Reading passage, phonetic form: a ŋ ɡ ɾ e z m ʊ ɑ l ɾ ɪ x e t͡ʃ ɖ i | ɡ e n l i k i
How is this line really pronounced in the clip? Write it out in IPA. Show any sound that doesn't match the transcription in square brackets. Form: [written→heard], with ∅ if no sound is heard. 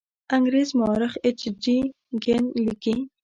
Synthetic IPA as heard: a ŋ ɡ ɾ e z m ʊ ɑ [l→∅] ɾ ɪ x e t͡ʃ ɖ i | ɡ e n l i k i